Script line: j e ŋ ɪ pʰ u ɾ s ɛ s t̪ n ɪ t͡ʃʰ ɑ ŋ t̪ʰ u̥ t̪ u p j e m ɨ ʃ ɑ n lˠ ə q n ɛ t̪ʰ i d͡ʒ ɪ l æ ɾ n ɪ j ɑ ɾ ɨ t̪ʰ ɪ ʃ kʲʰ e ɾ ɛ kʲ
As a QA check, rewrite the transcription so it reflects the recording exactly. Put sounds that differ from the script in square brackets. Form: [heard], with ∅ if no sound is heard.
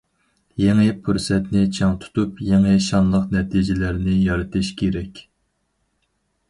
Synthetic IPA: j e ŋ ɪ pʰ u ɾ s ɛ [∅] t̪ n ɪ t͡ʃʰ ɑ ŋ t̪ʰ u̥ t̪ u p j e [ŋ] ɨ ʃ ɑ n lˠ ə q n ɛ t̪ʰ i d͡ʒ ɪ l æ ɾ n ɪ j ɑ ɾ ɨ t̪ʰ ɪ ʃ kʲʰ e ɾ ɛ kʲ